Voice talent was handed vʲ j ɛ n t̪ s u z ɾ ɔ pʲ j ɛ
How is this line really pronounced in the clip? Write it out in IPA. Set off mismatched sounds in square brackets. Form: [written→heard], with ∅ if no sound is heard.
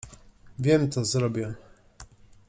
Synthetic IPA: vʲ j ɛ [n→m] t̪ s [u→ɔ] z ɾ ɔ [pʲ→bʲ] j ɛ